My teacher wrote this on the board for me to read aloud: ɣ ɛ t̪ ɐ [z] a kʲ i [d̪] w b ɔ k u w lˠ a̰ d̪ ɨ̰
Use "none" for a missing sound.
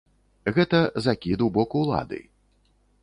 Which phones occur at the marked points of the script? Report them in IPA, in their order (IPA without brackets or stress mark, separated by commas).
z, d̪